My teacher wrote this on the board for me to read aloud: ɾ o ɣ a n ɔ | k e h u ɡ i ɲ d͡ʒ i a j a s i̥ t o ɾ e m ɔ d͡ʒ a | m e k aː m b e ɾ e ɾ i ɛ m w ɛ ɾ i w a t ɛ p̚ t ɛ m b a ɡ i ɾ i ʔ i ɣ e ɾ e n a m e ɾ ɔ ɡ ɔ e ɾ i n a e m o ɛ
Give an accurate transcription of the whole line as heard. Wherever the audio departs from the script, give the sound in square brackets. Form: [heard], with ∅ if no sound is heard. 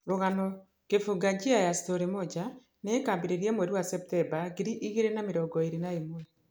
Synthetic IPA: ɾ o ɣ a n ɔ | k e [f] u ɡ [a] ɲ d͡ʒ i a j a s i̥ t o ɾ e m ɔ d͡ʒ a | [n] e k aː m b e ɾ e ɾ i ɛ m w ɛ ɾ i w a [s] ɛ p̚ t ɛ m b a ɡ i ɾ i ʔ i ɣ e ɾ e n a m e ɾ ɔ ɡ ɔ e ɾ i n a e m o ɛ